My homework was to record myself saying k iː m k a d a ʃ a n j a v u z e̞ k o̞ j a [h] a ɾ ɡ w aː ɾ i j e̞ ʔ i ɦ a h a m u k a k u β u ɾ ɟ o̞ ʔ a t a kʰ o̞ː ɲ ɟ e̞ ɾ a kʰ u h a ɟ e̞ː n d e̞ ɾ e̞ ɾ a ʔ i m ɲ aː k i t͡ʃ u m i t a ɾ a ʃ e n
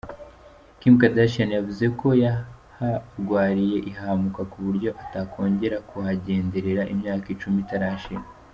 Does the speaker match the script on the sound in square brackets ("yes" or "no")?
yes